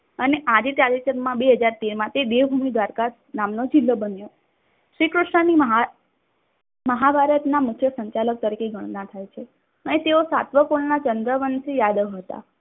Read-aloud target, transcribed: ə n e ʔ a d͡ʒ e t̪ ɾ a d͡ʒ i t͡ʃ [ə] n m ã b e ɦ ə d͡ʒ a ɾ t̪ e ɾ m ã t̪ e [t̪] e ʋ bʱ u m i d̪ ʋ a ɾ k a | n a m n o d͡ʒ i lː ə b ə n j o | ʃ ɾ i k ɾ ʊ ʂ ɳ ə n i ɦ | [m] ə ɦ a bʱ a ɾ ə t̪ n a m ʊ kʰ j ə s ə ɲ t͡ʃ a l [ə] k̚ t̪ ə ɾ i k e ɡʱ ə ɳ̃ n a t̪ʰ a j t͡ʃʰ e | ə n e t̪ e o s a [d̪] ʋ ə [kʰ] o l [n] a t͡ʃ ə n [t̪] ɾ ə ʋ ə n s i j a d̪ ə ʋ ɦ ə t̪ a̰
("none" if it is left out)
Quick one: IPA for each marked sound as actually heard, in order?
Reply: ə, d̪, m, ə, t̪, k, n, d̪

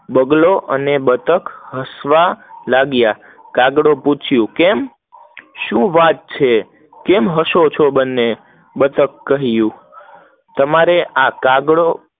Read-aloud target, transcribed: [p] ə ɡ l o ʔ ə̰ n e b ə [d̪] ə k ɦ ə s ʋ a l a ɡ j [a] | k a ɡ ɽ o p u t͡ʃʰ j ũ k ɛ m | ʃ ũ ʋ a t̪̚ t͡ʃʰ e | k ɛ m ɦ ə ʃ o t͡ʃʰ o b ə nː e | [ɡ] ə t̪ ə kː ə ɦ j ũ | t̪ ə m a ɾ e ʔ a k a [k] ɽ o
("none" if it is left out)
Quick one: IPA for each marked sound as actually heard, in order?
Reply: b, t̪, a, b, ɡ

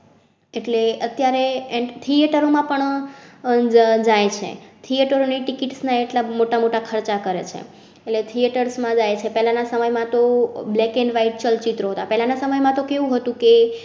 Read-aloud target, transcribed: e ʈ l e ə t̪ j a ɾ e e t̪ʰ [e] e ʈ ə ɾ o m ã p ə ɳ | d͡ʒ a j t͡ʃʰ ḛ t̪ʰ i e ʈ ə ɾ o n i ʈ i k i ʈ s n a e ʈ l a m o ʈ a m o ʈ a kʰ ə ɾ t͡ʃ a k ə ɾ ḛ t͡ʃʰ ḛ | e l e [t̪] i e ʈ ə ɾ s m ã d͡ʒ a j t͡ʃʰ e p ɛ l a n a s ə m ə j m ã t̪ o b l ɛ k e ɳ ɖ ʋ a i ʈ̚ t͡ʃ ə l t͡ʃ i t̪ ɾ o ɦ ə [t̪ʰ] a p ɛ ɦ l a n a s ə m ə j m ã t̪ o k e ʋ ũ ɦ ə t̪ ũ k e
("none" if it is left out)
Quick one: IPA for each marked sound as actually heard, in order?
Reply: i, t̪ʰ, t̪

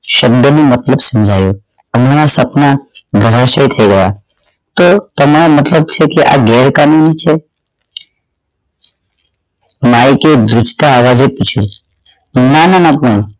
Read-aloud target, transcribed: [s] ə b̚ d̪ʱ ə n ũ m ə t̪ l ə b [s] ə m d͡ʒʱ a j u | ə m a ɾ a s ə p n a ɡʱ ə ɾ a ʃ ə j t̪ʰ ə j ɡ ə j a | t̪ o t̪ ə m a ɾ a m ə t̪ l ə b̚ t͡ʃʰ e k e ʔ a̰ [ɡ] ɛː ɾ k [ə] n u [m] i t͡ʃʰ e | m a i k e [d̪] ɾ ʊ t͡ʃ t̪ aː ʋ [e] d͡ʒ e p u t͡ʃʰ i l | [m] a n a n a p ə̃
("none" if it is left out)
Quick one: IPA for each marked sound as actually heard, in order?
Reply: ʃ, s, ɡ, a, n, d̪, a, n

